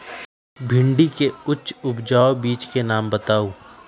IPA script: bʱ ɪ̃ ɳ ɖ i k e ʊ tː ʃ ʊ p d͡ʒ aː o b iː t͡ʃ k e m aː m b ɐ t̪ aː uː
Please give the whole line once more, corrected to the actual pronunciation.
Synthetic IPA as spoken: bʱ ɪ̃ ɳ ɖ i k e ʊ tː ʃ ʊ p d͡ʒ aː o b iː t͡ʃ k e n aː m b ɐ t̪ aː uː